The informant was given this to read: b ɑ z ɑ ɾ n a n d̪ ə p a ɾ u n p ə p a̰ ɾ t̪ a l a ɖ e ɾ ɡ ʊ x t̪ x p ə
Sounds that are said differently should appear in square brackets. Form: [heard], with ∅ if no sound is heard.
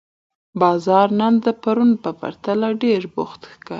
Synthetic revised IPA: b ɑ z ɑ ɾ n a n d̪ ə p a ɾ u n p ə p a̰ ɾ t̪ a l a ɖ e ɾ [b] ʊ x t̪ x [k] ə